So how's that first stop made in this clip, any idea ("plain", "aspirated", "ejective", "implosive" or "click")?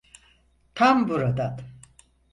aspirated